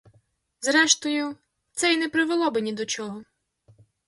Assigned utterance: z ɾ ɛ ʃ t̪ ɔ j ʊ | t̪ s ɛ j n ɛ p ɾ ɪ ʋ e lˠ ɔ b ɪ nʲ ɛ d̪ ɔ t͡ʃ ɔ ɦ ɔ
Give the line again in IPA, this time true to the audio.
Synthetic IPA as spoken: z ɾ ɛ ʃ t̪ ɔ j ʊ | t̪ s ɛ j n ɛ p ɾ ɪ ʋ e lˠ ɔ b ɪ nʲ i d̪ ɔ t͡ʃ ɔ ɦ ɔ